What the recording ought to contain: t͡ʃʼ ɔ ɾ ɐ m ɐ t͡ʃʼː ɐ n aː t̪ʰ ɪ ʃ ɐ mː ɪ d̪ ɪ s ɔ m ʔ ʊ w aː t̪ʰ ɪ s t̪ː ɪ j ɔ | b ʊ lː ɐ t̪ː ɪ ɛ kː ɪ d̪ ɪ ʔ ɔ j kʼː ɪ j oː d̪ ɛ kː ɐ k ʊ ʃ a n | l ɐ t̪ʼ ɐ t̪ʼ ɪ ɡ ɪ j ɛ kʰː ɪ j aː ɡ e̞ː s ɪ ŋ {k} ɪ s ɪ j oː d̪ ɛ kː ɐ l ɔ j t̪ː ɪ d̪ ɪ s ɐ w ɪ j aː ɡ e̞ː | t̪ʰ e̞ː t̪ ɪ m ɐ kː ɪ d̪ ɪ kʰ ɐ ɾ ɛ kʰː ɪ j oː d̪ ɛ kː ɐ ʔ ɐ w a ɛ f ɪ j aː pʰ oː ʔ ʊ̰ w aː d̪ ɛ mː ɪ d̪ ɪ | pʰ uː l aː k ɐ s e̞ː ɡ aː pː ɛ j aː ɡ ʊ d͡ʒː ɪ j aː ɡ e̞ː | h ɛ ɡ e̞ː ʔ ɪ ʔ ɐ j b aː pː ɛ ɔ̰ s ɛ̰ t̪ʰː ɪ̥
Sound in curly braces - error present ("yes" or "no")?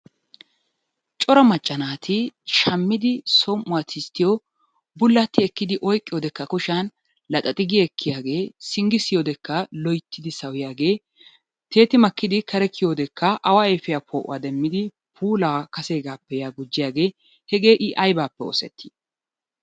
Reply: yes